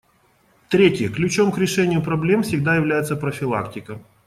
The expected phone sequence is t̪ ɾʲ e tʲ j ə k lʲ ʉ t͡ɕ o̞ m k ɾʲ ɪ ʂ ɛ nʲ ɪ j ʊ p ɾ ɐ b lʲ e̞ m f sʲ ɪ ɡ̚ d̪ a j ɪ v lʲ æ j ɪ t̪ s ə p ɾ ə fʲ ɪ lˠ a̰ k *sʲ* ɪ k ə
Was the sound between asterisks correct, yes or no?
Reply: no